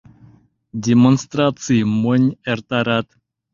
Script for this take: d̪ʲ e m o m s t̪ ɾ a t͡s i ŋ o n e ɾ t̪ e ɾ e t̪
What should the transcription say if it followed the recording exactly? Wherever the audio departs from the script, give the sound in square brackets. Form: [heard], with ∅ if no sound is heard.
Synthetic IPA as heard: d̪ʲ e m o [n] s t̪ ɾ a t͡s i [m] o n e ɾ t̪ [a] ɾ [a] t̪